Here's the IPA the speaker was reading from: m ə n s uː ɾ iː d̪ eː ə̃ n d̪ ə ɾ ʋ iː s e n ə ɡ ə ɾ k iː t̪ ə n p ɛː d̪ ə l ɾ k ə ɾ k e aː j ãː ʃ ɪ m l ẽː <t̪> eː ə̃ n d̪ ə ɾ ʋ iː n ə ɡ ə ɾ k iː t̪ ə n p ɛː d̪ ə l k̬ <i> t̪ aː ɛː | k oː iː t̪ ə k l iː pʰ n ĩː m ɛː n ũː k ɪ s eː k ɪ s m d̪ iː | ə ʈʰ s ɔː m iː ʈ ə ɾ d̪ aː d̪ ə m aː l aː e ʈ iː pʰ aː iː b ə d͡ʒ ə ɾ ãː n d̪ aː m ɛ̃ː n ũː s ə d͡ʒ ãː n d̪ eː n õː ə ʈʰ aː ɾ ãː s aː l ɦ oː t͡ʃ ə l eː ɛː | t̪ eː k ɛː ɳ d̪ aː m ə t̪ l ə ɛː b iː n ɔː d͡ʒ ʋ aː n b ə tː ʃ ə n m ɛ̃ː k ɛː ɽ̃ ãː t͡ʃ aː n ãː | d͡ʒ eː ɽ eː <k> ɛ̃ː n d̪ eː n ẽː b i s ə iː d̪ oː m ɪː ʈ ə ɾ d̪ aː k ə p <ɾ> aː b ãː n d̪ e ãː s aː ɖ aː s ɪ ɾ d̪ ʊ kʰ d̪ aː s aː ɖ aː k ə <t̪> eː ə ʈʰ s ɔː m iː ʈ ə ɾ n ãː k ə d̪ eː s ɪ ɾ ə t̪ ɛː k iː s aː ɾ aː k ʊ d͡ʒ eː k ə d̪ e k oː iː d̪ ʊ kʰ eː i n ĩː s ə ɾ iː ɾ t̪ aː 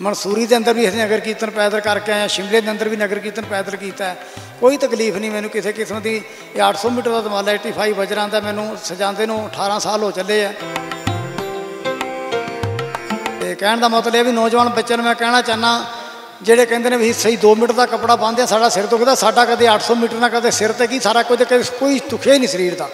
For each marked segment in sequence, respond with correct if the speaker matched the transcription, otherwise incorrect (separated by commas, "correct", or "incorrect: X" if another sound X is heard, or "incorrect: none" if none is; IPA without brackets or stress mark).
incorrect: d̪, incorrect: iː, correct, incorrect: ɽ, incorrect: d̪